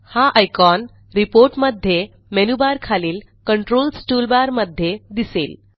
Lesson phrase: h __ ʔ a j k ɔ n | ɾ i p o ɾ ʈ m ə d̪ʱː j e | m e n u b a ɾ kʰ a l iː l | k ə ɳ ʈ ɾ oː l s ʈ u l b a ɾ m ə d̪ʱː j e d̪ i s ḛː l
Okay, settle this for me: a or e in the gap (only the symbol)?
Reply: a